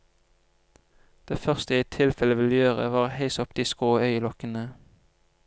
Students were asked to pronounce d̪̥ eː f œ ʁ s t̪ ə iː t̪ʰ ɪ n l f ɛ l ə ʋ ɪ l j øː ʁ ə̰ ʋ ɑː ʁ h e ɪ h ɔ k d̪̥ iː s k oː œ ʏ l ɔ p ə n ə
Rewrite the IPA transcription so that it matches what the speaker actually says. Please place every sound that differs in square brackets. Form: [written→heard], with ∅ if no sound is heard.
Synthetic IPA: d̪̥ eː f œ ʁ s t̪ ə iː t̪ʰ ɪ [n→∅] l f ɛ l ə ʋ ɪ l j øː ʁ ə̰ ʋ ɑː ʁ h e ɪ [h→s] ɔ [k→p] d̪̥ iː s k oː œ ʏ l ɔ [p→k] ə n ə